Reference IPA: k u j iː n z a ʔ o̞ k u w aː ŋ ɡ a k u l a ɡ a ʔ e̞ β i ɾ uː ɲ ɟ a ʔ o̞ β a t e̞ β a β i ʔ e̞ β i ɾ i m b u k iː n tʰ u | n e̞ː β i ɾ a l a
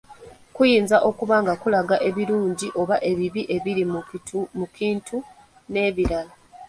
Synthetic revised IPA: k u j iː n z a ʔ o̞ k u β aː ŋ ɡ a k u l a ɡ a ʔ e̞ β i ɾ uː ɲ ɟ i ʔ o̞ β a ʔ e̞ β i β i ʔ e̞ β i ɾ i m m u k iː n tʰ u | n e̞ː β i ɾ a l a